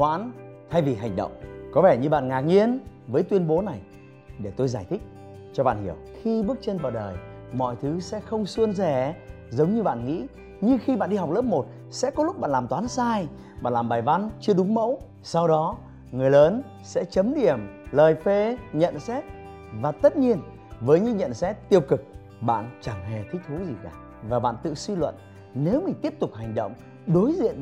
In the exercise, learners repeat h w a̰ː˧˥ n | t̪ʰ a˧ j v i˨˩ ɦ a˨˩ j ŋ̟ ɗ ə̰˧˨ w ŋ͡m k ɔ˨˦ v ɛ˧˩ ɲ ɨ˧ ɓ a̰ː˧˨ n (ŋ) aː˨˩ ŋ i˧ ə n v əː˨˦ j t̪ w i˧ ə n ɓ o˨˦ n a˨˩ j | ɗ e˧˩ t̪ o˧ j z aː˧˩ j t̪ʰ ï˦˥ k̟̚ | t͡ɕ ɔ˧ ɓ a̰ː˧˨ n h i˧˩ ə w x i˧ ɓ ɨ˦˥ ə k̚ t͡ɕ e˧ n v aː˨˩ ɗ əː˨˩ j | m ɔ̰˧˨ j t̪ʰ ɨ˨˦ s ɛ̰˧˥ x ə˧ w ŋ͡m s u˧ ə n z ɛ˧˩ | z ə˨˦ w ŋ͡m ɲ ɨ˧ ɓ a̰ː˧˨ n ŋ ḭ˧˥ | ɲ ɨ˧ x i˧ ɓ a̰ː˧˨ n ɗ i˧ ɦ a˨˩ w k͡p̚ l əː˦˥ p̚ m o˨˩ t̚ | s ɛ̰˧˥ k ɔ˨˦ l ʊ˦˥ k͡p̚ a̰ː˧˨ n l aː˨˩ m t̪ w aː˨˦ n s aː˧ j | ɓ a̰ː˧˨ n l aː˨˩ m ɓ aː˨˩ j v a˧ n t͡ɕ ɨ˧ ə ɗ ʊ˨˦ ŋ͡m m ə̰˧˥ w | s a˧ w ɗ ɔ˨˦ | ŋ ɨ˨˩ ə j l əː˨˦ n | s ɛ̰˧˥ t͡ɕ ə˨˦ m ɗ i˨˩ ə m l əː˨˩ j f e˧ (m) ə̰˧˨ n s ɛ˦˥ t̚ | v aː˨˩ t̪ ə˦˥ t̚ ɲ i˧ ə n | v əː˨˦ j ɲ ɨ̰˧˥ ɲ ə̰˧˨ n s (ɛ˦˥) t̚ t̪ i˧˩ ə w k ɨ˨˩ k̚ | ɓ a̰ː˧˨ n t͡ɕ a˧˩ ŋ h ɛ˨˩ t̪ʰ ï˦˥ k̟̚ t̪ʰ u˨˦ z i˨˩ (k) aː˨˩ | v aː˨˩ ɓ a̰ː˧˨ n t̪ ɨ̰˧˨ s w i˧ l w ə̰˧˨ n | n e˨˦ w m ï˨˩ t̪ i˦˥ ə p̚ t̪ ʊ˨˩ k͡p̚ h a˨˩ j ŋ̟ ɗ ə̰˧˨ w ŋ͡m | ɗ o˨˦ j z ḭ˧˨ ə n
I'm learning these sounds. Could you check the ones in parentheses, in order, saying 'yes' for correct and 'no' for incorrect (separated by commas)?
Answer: yes, no, yes, yes